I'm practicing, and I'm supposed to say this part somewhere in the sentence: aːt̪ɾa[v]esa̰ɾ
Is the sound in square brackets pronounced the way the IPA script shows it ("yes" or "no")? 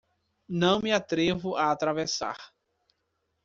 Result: yes